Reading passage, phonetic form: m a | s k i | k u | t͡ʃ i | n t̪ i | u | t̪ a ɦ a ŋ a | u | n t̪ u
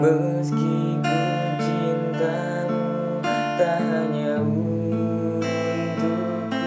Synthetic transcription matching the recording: m ə | s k i | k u | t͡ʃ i | n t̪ a | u | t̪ a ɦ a ɲ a | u | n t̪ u